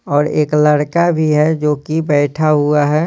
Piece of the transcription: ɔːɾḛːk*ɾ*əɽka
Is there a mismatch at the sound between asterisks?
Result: yes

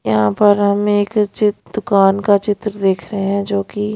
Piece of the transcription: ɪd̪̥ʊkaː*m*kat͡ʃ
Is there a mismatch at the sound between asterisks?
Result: yes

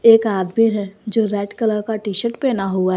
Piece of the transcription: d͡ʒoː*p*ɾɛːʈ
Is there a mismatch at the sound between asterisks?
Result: yes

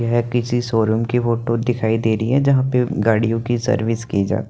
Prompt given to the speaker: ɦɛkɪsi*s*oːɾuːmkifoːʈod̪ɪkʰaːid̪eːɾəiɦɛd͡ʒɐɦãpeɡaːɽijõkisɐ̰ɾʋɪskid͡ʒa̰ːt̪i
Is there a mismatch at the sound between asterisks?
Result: no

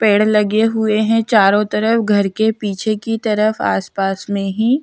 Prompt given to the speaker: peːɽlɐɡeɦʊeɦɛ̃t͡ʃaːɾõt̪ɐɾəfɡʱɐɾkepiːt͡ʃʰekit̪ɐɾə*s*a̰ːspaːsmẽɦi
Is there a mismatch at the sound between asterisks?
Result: yes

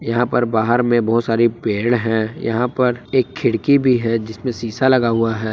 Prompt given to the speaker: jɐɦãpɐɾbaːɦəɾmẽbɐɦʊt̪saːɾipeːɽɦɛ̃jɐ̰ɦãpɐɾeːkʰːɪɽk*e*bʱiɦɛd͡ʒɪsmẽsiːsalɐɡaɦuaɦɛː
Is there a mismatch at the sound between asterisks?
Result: yes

